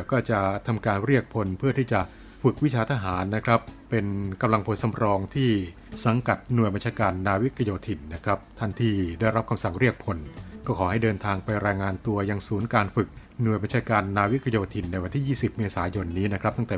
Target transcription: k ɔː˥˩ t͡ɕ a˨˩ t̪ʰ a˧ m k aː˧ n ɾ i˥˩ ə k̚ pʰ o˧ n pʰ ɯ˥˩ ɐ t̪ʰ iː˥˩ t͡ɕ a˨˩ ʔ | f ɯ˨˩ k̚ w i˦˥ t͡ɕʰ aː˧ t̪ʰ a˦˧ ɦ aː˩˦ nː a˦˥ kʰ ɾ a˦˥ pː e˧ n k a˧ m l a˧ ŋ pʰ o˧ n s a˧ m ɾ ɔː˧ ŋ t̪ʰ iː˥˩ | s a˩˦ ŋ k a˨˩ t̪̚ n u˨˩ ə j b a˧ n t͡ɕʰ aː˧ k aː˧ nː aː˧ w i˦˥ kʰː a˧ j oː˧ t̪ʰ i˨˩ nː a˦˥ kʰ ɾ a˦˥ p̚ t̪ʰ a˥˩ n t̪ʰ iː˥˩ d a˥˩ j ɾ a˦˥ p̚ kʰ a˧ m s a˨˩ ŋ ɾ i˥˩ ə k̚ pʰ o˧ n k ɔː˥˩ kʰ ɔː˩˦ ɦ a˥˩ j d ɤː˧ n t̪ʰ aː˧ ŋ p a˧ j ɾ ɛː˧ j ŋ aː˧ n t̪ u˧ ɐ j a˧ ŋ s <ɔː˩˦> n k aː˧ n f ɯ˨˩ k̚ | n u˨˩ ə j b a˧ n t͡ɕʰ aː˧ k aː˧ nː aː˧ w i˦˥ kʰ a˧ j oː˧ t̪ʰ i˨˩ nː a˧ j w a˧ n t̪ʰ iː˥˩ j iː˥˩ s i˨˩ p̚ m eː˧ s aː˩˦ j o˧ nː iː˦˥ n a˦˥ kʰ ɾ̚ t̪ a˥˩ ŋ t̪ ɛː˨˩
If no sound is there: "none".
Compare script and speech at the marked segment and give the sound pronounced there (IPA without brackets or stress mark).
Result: uː˩˦